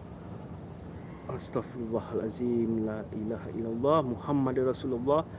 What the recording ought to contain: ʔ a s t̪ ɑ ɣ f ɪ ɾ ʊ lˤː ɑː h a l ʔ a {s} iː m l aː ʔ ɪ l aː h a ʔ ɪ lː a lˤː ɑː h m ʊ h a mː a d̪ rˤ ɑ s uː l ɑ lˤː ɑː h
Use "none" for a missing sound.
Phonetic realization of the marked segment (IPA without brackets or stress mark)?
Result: z